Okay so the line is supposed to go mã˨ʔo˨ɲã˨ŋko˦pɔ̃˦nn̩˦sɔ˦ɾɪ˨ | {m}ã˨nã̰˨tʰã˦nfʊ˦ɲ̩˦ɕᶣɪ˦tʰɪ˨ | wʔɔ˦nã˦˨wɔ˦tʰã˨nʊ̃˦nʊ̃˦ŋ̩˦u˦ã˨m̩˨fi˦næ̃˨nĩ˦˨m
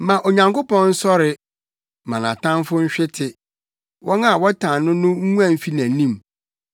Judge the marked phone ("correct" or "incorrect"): correct